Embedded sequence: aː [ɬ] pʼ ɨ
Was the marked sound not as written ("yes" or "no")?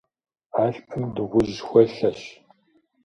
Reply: no